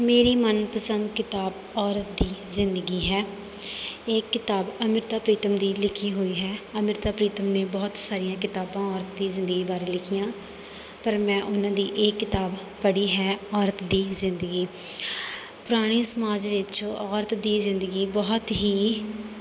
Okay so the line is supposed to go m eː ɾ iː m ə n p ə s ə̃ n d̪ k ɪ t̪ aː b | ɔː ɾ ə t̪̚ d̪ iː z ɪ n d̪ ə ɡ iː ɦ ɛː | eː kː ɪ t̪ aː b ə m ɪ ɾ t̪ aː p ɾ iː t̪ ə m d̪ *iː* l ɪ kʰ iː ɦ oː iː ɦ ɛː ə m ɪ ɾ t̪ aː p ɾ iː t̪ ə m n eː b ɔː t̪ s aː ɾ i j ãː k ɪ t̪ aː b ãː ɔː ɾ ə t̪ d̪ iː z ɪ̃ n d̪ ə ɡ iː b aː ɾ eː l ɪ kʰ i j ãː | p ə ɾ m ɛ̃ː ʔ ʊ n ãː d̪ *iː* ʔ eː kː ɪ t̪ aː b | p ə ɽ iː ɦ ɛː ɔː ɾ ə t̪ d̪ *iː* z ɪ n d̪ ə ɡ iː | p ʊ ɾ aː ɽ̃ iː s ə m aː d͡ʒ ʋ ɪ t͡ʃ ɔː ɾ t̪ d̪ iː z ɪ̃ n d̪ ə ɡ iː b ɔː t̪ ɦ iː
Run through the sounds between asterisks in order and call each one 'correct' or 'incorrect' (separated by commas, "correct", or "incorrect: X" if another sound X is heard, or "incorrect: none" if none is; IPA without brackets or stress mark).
correct, correct, correct